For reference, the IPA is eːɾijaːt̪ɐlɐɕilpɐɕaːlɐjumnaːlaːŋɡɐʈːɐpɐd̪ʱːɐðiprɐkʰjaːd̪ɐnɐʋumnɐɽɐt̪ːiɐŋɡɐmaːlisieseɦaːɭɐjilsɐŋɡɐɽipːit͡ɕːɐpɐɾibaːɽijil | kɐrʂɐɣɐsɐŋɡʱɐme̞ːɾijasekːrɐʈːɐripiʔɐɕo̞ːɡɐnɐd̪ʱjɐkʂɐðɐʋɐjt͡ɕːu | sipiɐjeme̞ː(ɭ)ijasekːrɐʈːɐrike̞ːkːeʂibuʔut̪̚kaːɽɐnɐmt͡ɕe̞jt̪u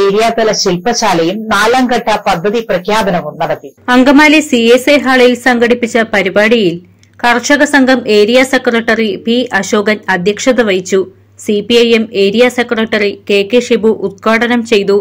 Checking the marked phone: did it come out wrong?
yes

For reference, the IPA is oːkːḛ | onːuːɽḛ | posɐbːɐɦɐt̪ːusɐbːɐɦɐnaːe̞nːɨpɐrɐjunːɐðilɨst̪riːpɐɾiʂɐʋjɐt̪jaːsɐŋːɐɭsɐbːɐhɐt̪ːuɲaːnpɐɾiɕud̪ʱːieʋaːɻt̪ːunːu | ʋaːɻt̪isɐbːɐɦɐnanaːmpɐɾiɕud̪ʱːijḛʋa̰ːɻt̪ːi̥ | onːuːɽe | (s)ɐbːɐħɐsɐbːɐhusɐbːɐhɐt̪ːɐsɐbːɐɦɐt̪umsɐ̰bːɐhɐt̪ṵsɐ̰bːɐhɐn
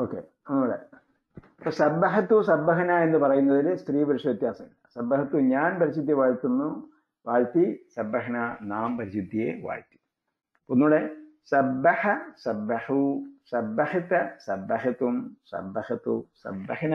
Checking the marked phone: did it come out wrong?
no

